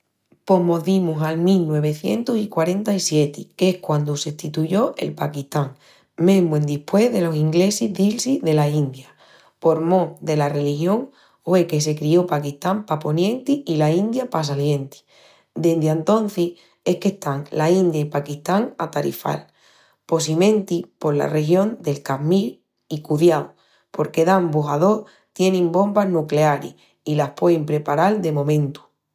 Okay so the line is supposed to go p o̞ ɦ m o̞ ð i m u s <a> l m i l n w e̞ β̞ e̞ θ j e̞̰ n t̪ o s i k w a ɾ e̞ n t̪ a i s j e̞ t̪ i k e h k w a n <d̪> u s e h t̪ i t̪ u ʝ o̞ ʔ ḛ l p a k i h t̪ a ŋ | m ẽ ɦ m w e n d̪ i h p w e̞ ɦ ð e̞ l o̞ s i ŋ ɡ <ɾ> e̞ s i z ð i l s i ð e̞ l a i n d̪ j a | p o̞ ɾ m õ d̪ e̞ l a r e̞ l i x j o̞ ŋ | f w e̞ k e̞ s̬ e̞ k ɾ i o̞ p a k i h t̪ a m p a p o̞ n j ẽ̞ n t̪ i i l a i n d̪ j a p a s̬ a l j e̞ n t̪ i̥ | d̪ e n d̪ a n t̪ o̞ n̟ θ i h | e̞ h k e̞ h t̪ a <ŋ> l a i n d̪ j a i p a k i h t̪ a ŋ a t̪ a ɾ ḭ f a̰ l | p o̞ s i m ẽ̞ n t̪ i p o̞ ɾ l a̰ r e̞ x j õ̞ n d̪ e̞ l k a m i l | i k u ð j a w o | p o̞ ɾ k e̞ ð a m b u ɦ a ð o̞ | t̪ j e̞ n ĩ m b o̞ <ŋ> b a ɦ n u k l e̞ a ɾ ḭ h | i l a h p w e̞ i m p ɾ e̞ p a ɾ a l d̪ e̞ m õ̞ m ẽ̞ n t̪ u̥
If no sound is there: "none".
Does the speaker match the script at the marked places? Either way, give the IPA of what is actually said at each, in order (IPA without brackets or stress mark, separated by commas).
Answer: a, d̪, l, ŋ, m